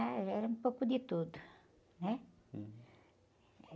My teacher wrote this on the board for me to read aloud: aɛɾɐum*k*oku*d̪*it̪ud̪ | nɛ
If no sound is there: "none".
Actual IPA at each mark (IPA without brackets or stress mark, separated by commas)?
p, d̪